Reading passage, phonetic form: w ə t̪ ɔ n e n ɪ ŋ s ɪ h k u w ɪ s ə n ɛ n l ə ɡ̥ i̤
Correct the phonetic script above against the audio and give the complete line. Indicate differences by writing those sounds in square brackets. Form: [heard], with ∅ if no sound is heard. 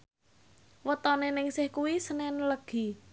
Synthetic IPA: w ə t̪ ɔ n e n ɪ ŋ s ɪ h k u w [i] s ə n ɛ n l ə ɡ̥ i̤